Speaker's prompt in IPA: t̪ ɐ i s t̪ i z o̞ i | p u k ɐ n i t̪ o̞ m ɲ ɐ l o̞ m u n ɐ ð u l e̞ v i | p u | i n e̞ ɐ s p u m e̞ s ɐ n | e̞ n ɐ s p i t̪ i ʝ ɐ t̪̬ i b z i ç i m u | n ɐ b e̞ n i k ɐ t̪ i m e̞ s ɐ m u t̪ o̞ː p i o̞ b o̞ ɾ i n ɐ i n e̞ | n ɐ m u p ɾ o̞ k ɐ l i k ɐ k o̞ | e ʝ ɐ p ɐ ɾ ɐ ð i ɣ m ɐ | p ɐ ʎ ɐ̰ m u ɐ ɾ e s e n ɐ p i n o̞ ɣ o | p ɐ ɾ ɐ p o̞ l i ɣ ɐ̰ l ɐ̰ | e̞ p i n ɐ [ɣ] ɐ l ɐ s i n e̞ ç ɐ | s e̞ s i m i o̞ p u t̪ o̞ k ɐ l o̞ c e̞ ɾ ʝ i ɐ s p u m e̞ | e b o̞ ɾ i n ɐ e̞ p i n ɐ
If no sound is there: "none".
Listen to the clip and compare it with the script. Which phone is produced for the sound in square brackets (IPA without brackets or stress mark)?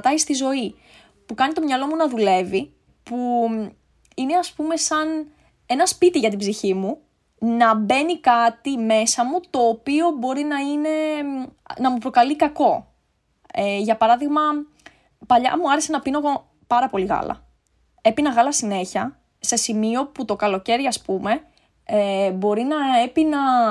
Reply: ɣ